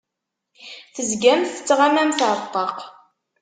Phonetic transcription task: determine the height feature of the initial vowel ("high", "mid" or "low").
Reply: mid